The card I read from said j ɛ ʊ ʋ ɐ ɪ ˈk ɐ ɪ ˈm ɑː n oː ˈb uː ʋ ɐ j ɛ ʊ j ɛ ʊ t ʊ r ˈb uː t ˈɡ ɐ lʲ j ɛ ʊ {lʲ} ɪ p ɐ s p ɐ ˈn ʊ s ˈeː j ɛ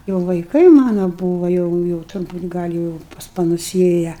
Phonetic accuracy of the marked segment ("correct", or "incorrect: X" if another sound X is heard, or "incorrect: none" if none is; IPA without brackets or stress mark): incorrect: none